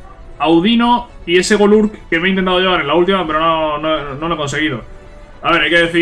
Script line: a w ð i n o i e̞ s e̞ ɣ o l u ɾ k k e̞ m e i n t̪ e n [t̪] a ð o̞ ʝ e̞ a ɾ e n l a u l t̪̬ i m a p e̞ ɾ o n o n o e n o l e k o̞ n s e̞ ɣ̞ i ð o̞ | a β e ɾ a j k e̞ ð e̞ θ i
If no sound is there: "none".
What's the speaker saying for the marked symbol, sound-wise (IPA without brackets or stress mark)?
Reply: t̪